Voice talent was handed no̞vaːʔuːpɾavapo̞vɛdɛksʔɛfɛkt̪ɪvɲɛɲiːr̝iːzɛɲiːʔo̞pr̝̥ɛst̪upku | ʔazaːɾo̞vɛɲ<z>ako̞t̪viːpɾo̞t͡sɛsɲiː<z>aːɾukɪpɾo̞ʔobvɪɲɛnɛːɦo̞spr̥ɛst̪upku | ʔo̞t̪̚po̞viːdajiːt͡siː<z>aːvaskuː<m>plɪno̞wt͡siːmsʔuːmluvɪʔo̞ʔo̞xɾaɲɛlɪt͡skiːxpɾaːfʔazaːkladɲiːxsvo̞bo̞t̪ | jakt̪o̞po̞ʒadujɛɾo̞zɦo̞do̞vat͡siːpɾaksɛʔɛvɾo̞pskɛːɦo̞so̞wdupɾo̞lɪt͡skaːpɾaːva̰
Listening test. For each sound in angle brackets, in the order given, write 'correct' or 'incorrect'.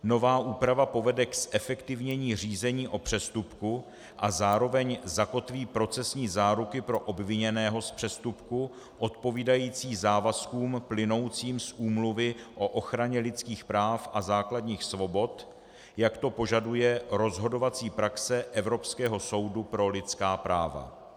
correct, correct, correct, correct

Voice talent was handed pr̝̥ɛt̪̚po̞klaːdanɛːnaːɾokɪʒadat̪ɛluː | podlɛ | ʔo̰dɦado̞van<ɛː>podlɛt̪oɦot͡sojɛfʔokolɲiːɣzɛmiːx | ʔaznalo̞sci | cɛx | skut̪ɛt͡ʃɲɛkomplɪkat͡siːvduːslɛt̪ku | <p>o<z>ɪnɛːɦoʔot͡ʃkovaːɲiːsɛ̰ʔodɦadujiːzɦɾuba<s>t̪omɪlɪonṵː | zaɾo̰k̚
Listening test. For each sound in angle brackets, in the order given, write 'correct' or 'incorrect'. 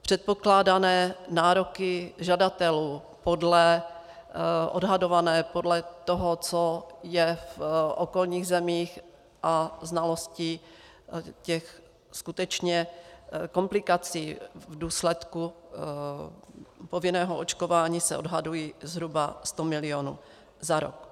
correct, correct, incorrect: v, correct

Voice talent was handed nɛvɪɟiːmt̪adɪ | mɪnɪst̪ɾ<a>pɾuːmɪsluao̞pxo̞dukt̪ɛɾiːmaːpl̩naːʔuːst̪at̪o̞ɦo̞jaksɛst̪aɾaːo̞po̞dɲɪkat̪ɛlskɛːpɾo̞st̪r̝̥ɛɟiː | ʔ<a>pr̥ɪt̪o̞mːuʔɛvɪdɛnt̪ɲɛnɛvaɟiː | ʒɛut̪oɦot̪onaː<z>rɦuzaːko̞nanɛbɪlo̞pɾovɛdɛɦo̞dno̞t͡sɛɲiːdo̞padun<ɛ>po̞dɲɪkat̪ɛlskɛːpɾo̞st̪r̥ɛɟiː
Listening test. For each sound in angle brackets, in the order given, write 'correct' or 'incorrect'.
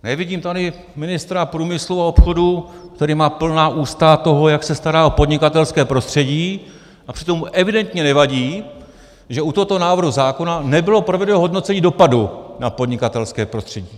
correct, correct, incorrect: v, incorrect: a

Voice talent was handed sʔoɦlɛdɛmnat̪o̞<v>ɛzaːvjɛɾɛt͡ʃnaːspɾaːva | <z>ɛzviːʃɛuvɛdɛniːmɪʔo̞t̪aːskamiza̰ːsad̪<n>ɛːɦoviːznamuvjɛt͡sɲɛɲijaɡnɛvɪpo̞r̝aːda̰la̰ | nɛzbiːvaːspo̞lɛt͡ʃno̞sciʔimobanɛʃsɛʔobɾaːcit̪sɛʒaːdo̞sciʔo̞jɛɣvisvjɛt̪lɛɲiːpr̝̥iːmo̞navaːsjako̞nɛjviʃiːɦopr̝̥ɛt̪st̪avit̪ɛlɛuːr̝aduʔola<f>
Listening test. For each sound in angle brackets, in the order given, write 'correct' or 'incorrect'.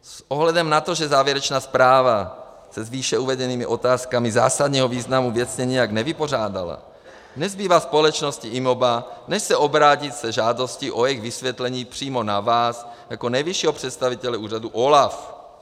incorrect: ʒ, incorrect: s, incorrect: ɲ, correct

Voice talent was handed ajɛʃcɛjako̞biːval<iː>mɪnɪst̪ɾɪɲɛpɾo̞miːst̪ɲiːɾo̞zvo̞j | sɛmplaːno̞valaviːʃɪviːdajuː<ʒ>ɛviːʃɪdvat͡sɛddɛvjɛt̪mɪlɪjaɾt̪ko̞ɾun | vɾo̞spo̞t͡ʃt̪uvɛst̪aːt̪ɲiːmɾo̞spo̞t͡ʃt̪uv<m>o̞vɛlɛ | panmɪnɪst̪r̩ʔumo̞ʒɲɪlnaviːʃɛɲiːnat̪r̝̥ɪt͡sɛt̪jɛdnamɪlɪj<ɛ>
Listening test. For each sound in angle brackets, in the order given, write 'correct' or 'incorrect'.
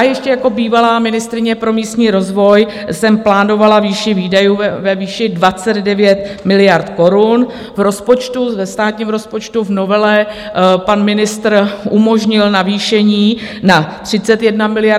incorrect: aː, incorrect: v, incorrect: n, incorrect: a

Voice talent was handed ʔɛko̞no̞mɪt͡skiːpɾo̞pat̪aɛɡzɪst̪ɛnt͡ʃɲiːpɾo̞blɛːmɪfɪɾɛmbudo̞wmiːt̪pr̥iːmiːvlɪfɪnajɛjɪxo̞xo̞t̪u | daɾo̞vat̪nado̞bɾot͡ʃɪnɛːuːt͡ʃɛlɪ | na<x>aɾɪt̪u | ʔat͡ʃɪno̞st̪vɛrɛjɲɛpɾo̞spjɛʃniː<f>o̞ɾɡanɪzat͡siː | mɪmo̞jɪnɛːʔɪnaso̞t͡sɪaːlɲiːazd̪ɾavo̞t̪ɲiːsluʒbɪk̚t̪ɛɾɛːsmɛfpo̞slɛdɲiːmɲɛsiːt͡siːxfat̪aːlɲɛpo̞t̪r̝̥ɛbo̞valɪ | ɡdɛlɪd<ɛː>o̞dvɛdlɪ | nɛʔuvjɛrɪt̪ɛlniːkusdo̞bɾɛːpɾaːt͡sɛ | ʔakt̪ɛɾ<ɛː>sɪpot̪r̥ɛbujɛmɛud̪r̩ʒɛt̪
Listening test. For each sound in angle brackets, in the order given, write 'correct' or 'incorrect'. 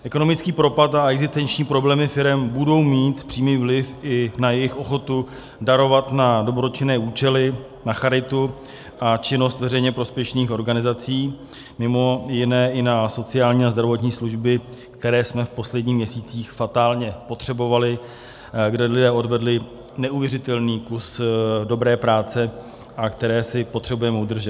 correct, incorrect: x, correct, correct

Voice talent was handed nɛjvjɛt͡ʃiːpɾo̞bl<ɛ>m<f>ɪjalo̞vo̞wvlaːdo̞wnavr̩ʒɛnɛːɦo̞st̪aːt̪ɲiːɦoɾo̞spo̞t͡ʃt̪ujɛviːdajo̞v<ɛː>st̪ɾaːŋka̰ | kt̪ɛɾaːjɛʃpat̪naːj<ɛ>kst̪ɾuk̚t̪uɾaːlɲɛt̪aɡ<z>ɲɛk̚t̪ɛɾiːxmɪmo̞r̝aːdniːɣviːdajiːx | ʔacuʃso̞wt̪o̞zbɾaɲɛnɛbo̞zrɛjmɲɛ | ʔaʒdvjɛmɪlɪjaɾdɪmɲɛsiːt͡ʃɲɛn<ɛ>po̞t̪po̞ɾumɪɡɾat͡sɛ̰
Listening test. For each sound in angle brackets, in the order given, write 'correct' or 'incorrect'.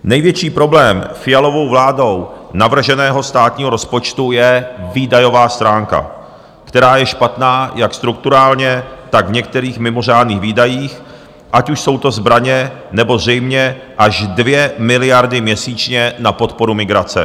incorrect: ɛː, correct, incorrect: aː, incorrect: a, incorrect: v, incorrect: a

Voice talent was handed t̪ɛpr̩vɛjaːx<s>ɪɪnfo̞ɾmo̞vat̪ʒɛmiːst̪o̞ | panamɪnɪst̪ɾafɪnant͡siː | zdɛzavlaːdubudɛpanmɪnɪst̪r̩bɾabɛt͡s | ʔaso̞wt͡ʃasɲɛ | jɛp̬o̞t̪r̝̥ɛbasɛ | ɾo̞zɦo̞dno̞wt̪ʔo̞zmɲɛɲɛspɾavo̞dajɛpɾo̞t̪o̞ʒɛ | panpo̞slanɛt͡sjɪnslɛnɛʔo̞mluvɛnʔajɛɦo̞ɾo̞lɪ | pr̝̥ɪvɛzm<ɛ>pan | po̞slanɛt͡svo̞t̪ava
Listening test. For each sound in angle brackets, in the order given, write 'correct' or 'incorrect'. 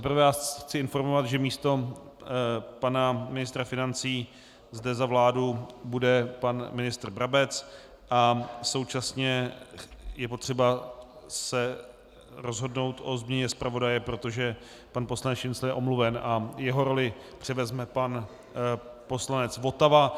incorrect: t͡s, correct

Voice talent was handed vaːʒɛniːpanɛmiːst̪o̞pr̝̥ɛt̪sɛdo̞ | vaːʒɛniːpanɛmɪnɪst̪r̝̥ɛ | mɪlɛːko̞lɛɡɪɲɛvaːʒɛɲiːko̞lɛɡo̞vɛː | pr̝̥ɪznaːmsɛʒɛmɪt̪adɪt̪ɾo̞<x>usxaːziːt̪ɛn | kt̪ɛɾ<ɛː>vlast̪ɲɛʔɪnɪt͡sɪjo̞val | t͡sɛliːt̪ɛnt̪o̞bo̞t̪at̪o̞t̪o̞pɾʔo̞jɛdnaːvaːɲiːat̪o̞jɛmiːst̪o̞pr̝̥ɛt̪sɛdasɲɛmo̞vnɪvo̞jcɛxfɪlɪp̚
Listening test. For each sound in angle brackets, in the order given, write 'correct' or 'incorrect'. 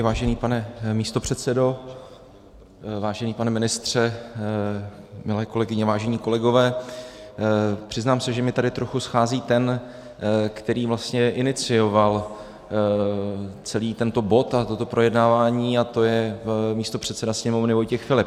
correct, incorrect: iː

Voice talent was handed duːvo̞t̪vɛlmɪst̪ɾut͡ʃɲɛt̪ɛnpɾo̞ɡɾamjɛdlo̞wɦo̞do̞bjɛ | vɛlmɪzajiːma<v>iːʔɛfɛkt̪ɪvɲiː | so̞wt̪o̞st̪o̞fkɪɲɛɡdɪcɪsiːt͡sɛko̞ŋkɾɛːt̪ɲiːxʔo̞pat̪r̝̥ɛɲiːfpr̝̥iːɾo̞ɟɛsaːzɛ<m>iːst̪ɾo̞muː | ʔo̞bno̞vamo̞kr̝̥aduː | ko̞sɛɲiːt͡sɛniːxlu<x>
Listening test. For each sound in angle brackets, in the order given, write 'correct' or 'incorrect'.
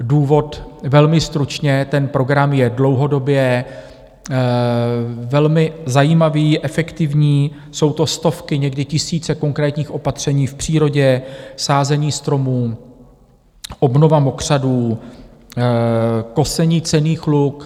correct, incorrect: ɲ, incorrect: k

